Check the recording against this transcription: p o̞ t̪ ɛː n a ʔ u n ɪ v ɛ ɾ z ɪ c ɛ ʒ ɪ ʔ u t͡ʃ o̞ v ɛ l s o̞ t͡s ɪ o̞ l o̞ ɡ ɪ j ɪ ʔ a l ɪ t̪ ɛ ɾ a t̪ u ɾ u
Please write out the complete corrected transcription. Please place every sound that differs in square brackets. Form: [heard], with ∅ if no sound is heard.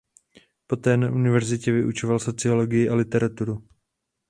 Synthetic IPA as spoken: p o̞ t̪ ɛː n a ʔ u n ɪ v ɛ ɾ z ɪ c ɛ [v] ɪ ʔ u t͡ʃ o̞ v [a] l s o̞ t͡s ɪ o̞ l o̞ ɡ ɪ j ɪ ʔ a l ɪ t̪ ɛ ɾ a t̪ u ɾ u